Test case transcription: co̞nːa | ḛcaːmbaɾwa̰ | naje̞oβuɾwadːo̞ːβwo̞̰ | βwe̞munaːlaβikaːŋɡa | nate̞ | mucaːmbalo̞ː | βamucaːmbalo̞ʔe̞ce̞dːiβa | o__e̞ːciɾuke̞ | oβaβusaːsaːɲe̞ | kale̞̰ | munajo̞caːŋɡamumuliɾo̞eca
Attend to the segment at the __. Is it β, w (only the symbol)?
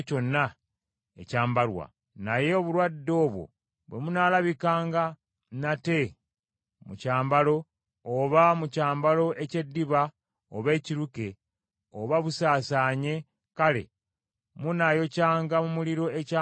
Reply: β